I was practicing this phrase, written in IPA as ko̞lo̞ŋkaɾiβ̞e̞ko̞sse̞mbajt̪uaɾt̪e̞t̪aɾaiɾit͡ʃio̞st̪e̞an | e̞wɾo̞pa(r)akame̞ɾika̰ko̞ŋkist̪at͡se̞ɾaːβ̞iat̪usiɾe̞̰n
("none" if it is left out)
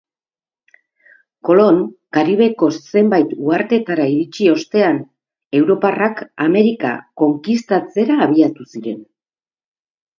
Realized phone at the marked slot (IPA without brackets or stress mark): r